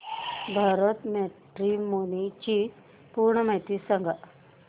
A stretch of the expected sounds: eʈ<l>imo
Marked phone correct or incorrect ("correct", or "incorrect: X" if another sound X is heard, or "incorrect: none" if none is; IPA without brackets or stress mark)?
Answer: incorrect: ɾ